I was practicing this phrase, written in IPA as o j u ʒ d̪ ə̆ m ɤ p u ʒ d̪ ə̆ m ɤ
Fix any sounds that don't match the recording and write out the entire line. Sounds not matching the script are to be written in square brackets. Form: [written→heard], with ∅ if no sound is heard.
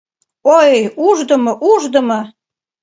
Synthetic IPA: o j u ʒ d̪ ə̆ m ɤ [p→ʔ] u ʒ d̪ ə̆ m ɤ

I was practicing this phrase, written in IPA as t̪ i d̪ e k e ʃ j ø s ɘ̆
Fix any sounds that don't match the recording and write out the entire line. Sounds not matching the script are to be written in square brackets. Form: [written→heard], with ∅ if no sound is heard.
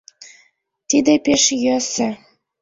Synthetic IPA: t̪ i d̪ e [k→p] e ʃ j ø s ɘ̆

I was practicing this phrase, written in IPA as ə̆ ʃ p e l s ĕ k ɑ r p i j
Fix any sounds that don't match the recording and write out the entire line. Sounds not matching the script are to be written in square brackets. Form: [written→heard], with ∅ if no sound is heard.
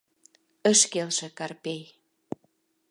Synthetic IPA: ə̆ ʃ [p→k] e l [s→ʃ] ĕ k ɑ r p [i→e] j

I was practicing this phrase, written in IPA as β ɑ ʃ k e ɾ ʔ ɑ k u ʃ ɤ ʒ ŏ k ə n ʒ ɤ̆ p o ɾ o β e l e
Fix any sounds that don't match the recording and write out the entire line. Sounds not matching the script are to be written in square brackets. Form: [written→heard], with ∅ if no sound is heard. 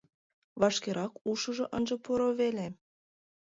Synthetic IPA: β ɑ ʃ k e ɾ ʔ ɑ k u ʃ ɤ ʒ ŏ [k→ʔ] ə n ʒ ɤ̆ p o ɾ o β e l e

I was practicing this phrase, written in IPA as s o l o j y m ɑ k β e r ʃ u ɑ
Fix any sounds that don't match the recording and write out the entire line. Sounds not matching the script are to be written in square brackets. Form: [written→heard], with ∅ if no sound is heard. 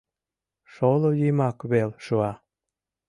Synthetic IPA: [s→ʃ] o l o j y m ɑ k β e [r→l] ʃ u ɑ

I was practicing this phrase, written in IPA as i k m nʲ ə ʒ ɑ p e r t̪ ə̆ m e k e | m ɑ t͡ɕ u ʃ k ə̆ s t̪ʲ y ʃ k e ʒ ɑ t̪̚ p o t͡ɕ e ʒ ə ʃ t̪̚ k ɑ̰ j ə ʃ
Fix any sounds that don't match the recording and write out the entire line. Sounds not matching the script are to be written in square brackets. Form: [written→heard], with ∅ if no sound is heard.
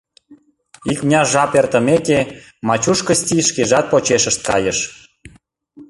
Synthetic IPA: i k m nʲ [ə→ɑ] ʒ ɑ p e r t̪ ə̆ m e k e | m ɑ t͡ɕ u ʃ k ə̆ s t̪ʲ [y→i] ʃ k e ʒ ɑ t̪̚ p o t͡ɕ e [ʒ→ʃ] ə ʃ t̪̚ k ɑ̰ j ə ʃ

